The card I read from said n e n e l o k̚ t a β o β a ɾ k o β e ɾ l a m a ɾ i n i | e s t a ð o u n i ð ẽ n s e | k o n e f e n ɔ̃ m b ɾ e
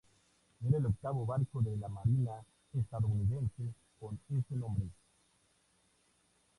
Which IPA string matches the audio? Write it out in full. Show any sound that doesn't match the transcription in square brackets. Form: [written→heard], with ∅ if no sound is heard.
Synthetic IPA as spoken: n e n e l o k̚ t a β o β a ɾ k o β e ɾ l a m a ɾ i n [i→a] | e s t a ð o u n i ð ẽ n s e | k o n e [f→s] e n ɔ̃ m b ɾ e